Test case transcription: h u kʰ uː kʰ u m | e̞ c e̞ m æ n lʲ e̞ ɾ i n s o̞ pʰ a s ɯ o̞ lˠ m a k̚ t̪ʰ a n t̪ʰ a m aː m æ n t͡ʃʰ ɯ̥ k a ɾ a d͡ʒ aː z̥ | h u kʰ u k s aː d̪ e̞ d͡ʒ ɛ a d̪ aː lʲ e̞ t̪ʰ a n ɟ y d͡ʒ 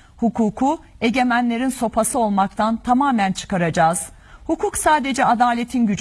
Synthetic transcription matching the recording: h u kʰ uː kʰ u | e̞ ɟ e̞ m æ n lʲ e̞ ɾ i n s o̞ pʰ a s ɯ o̞ lˠ m a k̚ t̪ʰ a n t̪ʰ a m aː m æ n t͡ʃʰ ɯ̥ k a ɾ a d͡ʒ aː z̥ | h u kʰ u k s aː d̪ e̞ d͡ʒ ɛ a d̪ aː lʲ e̞ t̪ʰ i n ɟ y d͡ʒ